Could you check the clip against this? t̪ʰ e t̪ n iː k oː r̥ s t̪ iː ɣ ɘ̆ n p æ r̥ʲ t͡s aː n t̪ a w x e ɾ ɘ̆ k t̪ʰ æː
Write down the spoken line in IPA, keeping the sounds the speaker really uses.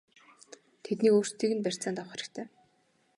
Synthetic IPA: t̪ʰ e t̪ n iː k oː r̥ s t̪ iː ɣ ɘ̆ n p æ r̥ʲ t͡s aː n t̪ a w χ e ɾ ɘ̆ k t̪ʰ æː